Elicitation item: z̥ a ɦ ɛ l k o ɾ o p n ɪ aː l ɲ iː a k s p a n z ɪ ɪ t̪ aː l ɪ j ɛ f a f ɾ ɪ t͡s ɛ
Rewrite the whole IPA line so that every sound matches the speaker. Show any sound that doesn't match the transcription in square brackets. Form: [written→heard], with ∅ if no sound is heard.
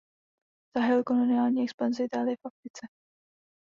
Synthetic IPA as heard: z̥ a ɦ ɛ l k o [ɾ→l] o [p→∅] n ɪ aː l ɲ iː [a→ɛ] k s p a n z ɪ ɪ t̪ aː l ɪ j ɛ f a f ɾ ɪ t͡s ɛ